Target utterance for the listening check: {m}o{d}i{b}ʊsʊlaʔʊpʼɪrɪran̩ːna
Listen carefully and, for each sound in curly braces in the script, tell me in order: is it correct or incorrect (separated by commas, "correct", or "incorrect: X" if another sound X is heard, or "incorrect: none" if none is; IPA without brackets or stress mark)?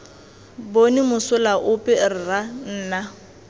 incorrect: b, incorrect: n, incorrect: m